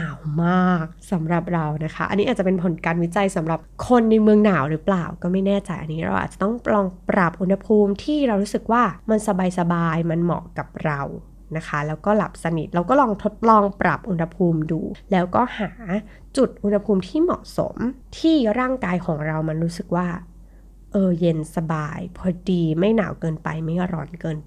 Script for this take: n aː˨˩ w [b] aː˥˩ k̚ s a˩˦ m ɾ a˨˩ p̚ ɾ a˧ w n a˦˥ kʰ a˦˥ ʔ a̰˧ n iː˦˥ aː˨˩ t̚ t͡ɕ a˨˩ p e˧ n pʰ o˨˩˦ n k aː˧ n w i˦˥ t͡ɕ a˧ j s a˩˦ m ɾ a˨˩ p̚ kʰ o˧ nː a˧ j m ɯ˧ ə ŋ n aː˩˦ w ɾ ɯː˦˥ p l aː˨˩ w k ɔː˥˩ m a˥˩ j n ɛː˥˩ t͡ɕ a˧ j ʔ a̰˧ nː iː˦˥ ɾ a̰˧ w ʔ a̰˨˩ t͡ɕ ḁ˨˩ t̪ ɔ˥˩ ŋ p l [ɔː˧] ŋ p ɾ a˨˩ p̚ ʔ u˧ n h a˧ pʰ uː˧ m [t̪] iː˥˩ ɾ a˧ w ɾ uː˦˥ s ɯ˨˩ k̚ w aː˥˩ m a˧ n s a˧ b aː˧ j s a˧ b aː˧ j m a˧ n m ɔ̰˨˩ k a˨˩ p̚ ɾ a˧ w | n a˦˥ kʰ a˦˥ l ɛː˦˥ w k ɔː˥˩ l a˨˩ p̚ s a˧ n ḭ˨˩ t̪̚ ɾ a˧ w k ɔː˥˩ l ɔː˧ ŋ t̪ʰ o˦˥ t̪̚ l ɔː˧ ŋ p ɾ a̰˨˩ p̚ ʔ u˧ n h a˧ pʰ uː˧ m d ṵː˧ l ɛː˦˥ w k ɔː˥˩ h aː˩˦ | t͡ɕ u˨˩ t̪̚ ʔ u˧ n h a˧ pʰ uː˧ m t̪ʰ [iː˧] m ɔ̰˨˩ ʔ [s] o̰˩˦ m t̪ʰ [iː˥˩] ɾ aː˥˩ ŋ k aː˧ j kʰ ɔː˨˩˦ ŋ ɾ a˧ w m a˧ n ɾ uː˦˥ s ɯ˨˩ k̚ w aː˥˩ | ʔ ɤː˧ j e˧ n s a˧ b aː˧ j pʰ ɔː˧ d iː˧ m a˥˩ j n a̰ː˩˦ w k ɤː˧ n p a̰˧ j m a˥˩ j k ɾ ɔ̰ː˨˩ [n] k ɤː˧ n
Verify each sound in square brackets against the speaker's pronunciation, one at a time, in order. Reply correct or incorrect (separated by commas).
incorrect, correct, incorrect, incorrect, correct, correct, correct